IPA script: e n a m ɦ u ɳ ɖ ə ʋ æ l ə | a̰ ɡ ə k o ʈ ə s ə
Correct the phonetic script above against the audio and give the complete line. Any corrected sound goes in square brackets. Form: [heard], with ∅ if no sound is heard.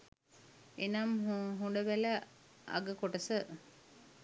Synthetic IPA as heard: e n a m ɦ u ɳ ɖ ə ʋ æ l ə | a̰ ɡ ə k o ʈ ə s ə

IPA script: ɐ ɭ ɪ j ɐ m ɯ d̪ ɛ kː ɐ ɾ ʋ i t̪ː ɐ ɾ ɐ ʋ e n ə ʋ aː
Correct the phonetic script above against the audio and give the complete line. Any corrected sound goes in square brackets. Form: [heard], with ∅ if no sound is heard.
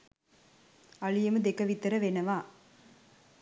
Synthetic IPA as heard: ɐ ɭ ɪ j ɐ m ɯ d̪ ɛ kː ɐ [∅] ʋ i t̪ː ɐ ɾ ɐ ʋ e n [ɐ] ʋ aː

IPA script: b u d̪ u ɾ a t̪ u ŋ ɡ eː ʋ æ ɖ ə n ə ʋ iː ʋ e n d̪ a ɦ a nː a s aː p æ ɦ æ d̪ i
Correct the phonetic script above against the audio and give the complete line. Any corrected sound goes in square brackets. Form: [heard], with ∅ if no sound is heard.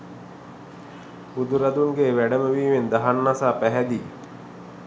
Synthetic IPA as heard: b u d̪ u ɾ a [d̪] u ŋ ɡ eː ʋ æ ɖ ə [m] ə ʋ iː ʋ e n d̪ a ɦ a nː a s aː p æ ɦ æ d̪ i

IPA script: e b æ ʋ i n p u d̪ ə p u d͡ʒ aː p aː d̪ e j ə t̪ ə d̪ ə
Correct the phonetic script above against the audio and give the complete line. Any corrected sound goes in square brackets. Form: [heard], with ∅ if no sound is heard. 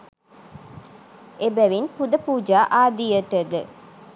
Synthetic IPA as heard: e b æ ʋ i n p u d̪ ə p [uː] d͡ʒ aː [ʔ] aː d̪ [i] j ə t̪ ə d̪ ə

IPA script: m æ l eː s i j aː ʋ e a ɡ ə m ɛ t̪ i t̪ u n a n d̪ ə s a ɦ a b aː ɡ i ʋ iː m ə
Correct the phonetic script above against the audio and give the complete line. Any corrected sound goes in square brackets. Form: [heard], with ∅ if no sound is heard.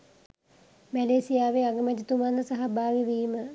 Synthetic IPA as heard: m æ l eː s i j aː ʋ e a ɡ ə m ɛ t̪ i t̪ u [m] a n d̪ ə s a ɦ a b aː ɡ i ʋ iː m ə

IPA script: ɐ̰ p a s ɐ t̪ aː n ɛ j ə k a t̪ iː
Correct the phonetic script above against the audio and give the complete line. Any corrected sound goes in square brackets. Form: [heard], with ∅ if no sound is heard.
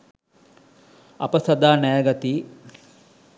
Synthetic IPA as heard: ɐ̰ p [ə] s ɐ [d̪] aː n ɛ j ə [ɡ] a t̪ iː

